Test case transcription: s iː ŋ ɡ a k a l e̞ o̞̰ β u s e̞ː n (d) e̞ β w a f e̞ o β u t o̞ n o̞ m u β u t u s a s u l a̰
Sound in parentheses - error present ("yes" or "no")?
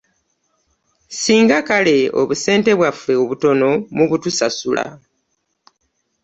yes